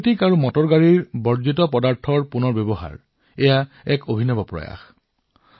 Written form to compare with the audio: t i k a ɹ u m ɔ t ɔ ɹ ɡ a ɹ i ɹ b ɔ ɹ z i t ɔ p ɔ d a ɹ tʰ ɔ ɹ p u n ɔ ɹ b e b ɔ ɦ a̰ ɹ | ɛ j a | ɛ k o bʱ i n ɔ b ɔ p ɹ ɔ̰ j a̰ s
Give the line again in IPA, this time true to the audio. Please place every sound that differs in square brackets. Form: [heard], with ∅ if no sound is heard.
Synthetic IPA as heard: t i k a ɹ u m ɔ t ɔ ɹ ɡ a ɹ i ɹ b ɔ ɹ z i t ɔ p ɔ d a ɹ tʰ ɔ ɹ p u n ɔ ɹ b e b ɔ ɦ a̰ ɹ | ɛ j a | ɛ k o bʱ i n ɔ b ɔ p ɹ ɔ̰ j a̰ [x]